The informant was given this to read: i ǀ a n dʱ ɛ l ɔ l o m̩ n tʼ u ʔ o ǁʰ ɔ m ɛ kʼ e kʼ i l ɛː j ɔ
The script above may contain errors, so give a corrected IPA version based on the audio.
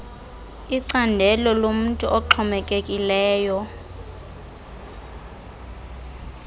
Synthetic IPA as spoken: i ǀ a n dʱ ɛ l ɔ l o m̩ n tʼ u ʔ ɔ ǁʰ ɔ m ɛ kʼ e kʼ i l ɛː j ɔ